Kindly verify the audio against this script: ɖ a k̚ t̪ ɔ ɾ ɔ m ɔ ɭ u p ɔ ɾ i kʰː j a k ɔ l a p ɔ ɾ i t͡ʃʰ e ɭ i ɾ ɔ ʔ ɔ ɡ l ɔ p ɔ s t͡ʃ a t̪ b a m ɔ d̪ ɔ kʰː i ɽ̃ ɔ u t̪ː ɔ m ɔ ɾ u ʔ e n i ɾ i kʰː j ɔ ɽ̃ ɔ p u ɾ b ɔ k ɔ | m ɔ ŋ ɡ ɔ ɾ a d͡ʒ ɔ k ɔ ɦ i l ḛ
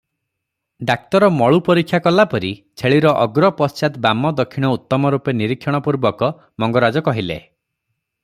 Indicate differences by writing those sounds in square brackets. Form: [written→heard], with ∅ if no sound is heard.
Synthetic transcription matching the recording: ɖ a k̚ t̪ ɔ ɾ ɔ m ɔ ɭ u p ɔ ɾ i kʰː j a k ɔ l a p ɔ ɾ i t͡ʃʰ e ɭ i ɾ ɔ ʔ ɔ ɡ [l→ɾ] ɔ p ɔ s t͡ʃ a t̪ b a m ɔ d̪ ɔ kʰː i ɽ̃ ɔ u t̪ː ɔ m ɔ ɾ u [ʔ→p] e n i ɾ i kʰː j ɔ ɽ̃ ɔ p u ɾ b ɔ k ɔ | m ɔ ŋ ɡ ɔ ɾ a d͡ʒ ɔ k ɔ ɦ i l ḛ